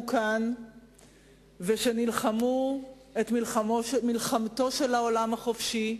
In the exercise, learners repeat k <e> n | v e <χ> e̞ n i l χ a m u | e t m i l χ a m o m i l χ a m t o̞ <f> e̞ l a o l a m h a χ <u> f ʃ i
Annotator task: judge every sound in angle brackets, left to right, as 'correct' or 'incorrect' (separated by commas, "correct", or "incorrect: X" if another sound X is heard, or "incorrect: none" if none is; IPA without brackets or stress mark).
incorrect: a, incorrect: ʃ, incorrect: ʃ, incorrect: o